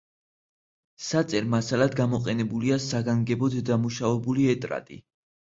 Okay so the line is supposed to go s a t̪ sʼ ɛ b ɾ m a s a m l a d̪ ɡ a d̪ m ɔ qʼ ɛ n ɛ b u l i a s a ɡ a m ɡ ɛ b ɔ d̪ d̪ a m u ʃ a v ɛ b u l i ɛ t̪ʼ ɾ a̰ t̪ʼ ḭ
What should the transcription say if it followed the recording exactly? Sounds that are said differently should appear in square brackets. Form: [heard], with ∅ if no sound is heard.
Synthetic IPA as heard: s a t̪ sʼ ɛ [∅] ɾ m a s a [∅] l a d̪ ɡ a [∅] m ɔ qʼ ɛ n ɛ b u l i a s a ɡ a [ŋ] ɡ ɛ b ɔ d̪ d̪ a m u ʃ a v ɛ b u l i ɛ t̪ʼ ɾ a̰ t̪ʼ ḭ